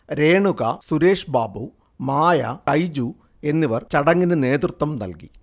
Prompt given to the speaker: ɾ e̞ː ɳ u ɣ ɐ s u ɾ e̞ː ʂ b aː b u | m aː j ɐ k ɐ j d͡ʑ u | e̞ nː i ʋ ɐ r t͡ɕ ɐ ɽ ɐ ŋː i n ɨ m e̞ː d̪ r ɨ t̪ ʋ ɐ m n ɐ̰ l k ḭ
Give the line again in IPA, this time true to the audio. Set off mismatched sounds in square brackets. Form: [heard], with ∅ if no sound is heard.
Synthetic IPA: ɾ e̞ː ɳ u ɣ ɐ s u ɾ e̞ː ʂ b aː b u | m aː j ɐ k ɐ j d͡ʑ u | e̞ nː i ʋ ɐ r t͡ɕ ɐ ɽ ɐ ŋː i n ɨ [n] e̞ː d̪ r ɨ t̪ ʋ ɐ m n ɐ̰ l k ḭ